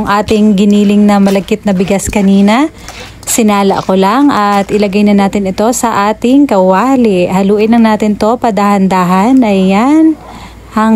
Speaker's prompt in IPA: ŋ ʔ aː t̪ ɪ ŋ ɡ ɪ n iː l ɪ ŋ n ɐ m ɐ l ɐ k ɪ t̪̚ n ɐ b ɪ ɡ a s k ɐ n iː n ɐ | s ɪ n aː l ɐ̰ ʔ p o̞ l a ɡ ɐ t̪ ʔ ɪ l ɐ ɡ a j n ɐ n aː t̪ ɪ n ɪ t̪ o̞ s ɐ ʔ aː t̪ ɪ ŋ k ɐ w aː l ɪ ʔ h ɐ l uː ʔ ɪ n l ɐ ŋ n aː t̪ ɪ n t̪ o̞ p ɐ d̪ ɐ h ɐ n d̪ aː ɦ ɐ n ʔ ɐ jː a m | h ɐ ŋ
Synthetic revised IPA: ŋ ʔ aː t̪ ɪ ŋ ɡ ɪ n iː l ɪ ŋ n ɐ m ɐ l ɐ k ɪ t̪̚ n ɐ b ɪ ɡ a s k ɐ n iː n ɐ | s ɪ n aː l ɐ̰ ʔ k o̞ l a ŋ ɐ t̪ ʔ ɪ l ɐ ɡ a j n ɐ n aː t̪ ɪ n ɪ t̪ o̞ s ɐ ʔ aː t̪ ɪ ŋ k ɐ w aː l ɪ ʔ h ɐ l uː ʔ ɪ n l ɐ ŋ n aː t̪ ɪ n t̪ o̞ p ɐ d̪ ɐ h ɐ n d̪ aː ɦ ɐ n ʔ ɐ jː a n | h ɐ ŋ